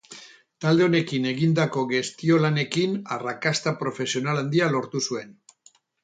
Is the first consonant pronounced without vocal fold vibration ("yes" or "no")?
yes